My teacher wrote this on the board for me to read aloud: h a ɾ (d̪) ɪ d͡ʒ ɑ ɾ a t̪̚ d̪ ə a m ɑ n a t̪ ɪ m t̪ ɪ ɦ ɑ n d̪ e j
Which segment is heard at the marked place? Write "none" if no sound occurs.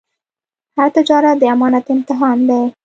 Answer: t̪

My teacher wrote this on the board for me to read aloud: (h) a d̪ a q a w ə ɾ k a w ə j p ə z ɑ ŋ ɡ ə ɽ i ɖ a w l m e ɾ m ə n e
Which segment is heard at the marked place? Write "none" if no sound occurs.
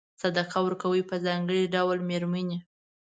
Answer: s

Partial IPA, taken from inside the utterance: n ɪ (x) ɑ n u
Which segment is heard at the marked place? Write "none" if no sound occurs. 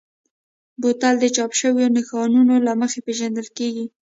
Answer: x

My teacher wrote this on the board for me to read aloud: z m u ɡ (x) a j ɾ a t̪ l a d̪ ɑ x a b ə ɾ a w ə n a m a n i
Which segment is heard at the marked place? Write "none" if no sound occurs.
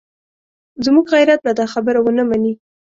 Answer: ɣ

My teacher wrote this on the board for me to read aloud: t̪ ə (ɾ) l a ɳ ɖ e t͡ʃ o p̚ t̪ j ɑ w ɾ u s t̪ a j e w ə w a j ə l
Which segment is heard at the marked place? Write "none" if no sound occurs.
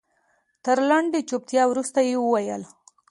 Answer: ɾ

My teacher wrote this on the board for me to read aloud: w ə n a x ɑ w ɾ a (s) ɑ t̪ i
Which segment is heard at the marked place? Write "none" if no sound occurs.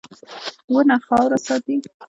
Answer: s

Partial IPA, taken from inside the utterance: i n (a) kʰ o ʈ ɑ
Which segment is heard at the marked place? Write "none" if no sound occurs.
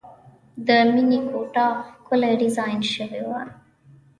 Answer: i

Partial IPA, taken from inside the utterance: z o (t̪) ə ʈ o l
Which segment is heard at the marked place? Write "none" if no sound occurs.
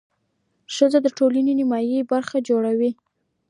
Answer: d̪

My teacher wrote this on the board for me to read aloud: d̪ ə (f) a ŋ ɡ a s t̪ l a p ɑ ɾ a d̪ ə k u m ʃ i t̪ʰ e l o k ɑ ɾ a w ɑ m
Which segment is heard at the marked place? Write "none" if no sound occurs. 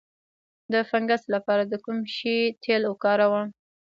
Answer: f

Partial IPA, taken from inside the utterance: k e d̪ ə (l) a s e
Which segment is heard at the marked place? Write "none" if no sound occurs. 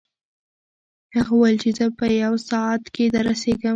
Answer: ɾ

